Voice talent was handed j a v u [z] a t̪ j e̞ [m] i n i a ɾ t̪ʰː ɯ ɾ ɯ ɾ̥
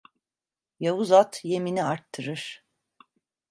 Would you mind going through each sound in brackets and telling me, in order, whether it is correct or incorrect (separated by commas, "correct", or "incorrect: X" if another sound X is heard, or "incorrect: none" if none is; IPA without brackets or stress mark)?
correct, correct